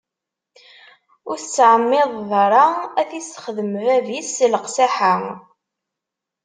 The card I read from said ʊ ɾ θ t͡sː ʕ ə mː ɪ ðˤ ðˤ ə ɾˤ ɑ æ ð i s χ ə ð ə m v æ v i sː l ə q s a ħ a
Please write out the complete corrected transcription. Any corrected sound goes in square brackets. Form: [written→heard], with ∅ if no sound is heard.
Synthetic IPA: ʊ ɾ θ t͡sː ʕ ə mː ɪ ðˤ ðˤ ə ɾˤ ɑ æ [ð→θ] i s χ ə ð ə m v æ v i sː l ə q s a ħ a